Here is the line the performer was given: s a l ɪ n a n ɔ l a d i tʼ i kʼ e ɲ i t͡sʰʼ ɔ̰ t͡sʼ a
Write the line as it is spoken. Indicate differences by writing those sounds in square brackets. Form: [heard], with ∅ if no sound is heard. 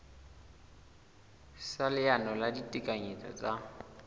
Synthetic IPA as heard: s a l ɪ [∅] a n ɔ l a d i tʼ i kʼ [a] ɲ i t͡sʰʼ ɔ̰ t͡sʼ a